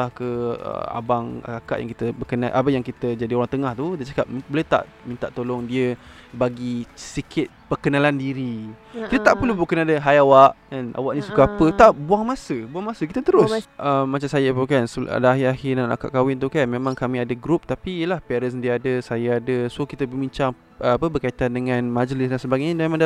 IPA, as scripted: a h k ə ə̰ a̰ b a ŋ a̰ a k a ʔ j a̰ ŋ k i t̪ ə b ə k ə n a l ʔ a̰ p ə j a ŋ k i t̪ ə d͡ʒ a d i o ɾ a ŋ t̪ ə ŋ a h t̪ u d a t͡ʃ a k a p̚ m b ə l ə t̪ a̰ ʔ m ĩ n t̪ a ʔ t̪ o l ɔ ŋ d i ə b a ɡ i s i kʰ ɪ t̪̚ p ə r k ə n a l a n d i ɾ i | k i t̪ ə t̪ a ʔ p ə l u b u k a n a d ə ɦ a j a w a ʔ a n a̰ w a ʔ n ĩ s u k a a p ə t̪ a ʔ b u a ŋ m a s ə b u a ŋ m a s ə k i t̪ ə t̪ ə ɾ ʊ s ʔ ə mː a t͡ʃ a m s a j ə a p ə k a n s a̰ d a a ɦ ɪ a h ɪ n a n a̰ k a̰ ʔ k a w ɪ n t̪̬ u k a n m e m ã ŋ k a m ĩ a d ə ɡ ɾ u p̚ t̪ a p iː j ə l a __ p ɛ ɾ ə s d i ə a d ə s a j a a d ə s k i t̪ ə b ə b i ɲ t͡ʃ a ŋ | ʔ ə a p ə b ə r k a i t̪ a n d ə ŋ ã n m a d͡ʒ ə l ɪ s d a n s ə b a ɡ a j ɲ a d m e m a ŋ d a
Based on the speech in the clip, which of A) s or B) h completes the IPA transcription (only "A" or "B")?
B